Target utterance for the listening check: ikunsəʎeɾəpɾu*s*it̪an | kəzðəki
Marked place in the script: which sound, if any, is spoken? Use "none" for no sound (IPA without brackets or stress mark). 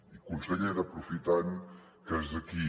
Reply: f